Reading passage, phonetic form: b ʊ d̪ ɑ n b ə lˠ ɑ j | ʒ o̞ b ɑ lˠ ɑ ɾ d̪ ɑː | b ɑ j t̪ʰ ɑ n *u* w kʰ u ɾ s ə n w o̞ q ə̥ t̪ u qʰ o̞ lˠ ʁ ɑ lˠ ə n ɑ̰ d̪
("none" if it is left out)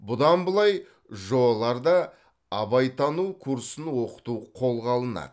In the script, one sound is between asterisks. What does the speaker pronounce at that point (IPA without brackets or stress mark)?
u